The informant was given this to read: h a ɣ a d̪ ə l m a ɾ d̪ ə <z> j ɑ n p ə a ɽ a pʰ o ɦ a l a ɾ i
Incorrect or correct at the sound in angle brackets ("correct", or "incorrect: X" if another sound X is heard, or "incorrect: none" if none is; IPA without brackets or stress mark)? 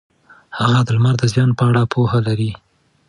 correct